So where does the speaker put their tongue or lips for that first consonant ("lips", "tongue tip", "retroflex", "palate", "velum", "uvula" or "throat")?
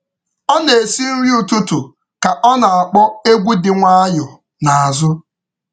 tongue tip